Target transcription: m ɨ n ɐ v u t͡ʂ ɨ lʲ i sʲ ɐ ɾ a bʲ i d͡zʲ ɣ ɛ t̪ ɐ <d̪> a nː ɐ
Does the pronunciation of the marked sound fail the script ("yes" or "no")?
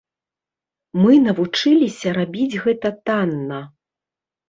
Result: yes